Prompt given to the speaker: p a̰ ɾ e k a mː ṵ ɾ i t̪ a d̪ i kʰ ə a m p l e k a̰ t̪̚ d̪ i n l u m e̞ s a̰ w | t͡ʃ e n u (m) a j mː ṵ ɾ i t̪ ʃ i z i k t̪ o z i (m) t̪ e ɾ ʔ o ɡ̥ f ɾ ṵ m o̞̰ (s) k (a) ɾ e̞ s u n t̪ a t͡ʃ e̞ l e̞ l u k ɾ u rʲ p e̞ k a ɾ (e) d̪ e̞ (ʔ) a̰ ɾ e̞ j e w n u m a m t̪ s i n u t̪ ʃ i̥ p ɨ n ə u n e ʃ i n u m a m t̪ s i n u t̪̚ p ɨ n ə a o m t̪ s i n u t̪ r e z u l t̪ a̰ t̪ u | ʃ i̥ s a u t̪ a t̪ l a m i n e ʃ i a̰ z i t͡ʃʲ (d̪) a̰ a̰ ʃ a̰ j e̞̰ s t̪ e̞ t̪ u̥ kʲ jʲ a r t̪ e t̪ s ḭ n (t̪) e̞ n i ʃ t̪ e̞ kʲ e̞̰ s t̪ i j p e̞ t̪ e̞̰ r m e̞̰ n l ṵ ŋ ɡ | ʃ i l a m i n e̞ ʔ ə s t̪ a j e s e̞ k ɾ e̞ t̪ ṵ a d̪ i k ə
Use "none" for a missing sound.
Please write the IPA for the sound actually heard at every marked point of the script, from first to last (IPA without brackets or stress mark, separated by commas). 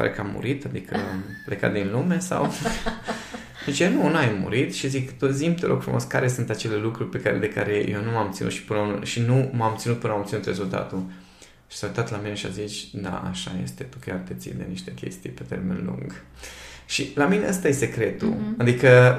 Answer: n, m, s, a, e, k, d̪, d̪